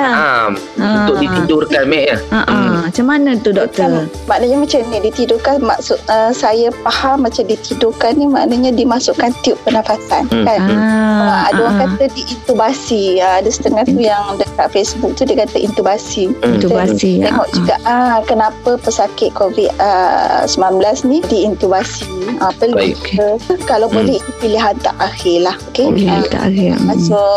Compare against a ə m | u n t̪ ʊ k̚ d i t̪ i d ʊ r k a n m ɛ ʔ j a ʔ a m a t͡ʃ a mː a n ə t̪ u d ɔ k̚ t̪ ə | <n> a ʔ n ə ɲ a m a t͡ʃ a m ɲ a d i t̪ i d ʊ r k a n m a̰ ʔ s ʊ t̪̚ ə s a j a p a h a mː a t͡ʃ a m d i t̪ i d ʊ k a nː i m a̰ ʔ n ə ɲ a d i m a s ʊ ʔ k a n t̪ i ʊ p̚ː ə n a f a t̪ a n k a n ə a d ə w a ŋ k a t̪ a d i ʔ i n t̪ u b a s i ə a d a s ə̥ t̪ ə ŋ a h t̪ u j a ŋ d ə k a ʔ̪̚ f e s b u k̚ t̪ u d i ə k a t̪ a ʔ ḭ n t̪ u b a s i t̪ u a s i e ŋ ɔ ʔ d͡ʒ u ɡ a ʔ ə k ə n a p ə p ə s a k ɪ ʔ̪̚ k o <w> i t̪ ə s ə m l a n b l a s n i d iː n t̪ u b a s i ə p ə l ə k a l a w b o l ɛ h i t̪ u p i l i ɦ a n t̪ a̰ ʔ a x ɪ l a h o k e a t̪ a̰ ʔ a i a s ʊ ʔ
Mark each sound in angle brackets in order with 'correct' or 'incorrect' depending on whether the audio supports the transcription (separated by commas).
incorrect, incorrect